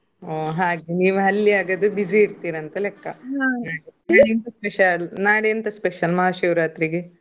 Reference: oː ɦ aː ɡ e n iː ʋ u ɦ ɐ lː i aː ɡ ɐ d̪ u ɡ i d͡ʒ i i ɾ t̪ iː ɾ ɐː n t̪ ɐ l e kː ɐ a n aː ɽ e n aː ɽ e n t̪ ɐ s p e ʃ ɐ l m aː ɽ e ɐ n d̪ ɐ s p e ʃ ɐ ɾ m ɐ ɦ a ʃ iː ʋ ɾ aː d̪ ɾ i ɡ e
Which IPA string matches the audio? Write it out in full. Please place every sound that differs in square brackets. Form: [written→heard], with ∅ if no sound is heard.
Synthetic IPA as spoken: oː ɦ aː ɡ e n iː ʋ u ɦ ɐ lː i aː ɡ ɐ d̪ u [ɡ→b] i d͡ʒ i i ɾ t̪ iː ɾ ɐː n t̪ ɐ l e kː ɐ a n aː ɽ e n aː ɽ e n t̪ ɐ s p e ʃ ɐ l [m→n] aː ɽ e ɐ n [d̪→t̪] ɐ s p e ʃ ɐ [ɾ→l] m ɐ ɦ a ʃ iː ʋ ɾ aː [d̪→t̪] ɾ i ɡ e